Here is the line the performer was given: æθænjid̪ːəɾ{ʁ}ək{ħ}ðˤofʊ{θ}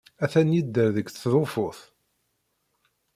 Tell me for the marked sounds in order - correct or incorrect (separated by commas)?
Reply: incorrect, incorrect, correct